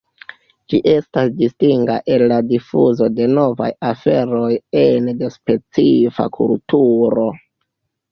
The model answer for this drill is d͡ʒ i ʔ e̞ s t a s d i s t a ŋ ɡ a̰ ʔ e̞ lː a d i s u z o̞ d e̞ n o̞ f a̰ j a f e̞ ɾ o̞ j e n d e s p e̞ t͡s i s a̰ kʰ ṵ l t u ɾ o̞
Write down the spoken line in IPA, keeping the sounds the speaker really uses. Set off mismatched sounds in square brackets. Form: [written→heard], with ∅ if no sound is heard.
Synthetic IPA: d͡ʒ i ʔ e̞ s t a s d i s t [a→i] ŋ ɡ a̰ ʔ e̞ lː a d i [s→f] u z o̞ d e̞ n o̞ [f→v] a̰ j a f e̞ ɾ o̞ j e n d e s p e̞ t͡s i [s→f] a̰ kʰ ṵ l t u ɾ o̞